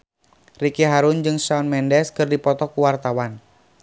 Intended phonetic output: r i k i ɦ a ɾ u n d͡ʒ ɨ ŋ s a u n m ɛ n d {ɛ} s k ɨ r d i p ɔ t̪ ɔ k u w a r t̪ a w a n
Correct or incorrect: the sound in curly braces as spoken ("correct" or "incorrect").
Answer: correct